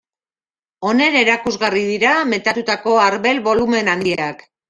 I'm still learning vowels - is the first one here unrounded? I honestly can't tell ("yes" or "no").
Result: no